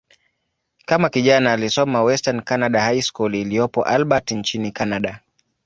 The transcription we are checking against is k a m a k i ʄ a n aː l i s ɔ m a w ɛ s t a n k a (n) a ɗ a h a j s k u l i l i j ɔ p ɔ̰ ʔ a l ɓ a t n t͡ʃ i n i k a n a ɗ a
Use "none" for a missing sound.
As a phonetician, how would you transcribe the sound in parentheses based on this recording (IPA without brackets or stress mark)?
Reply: n